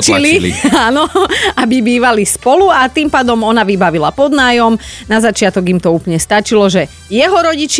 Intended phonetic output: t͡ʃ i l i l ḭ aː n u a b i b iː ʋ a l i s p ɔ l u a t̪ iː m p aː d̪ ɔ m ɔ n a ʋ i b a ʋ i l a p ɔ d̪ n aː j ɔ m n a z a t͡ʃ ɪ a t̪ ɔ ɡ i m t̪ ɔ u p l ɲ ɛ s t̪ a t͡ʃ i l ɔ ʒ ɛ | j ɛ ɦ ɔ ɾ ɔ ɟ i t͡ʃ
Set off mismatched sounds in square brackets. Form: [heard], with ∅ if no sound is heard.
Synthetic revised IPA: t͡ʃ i l i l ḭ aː n [ɔ] a b i b iː ʋ a l i s p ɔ l u a t̪ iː m p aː d̪ ɔ m ɔ n a ʋ i b a ʋ i l a p ɔ d̪ n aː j ɔ m n a z a t͡ʃ ɪ a t̪ ɔ ɡ i m t̪ ɔ [uː] p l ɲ ɛ s t̪ a t͡ʃ i l ɔ ʒ ɛ | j ɛ ɦ ɔ ɾ ɔ ɟ i t͡ʃ